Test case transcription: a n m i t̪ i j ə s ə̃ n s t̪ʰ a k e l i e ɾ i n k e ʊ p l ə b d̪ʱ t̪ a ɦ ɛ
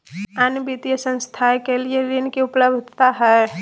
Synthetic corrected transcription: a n b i t̪ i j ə s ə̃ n s t̪ʰ a k e l i e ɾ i n k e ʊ p l ə b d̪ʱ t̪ a ɦ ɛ